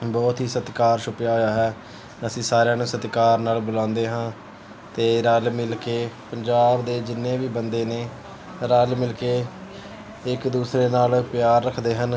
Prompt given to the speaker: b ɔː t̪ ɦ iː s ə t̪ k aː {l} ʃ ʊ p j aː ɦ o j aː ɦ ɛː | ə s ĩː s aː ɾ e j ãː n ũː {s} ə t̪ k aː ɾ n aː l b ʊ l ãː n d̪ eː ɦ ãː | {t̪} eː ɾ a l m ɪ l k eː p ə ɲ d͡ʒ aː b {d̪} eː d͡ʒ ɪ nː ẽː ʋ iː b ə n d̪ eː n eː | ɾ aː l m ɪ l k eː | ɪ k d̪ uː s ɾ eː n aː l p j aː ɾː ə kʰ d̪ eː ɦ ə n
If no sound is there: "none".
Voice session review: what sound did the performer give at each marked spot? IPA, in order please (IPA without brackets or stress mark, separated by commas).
ɾ, s, t̪, d̪